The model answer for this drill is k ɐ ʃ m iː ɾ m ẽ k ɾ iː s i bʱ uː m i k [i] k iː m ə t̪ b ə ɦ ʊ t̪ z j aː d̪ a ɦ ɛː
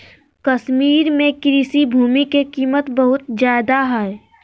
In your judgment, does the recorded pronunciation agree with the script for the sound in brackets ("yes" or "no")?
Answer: no